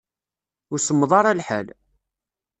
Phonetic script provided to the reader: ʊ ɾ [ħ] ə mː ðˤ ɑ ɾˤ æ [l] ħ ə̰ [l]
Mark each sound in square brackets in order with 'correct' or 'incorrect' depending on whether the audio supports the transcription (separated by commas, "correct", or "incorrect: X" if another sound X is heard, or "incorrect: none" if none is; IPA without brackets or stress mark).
incorrect: s, correct, correct